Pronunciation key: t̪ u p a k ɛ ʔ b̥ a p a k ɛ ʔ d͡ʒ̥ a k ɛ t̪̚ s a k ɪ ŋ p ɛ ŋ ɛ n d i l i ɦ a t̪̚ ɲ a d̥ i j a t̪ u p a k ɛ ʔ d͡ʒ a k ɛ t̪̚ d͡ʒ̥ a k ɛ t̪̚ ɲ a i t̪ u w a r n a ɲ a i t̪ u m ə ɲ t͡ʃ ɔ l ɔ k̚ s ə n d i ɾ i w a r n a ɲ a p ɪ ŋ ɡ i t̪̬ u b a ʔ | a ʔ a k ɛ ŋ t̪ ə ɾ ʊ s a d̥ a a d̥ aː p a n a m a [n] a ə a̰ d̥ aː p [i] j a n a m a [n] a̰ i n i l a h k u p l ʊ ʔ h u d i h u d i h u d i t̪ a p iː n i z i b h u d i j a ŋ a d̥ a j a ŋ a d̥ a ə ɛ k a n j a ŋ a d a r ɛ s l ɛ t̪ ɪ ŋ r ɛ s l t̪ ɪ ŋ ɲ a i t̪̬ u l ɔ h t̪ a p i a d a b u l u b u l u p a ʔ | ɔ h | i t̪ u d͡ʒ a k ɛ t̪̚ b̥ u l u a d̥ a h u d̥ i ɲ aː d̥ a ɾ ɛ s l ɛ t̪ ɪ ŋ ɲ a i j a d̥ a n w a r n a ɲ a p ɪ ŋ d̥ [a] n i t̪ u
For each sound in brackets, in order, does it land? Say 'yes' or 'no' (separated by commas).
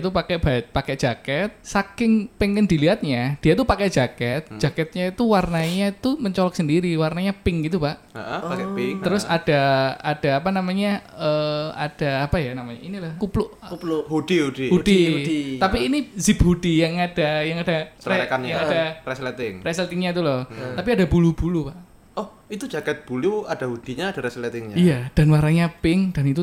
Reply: no, no, no, yes